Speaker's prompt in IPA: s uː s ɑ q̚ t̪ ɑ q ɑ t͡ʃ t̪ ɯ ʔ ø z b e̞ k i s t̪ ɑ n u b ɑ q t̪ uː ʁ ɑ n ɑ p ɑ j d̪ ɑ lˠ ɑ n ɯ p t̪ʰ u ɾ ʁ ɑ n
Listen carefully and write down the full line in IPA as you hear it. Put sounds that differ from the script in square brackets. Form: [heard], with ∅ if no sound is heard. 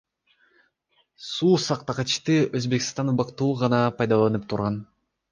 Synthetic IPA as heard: s uː s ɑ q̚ t̪ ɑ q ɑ t͡ʃ t̪ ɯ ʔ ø z b e̞ k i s t̪ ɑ n u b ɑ q t̪ uː ʁ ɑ n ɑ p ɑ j d̪ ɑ lˠ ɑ n ɯ p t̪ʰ u ɾ ʁ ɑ n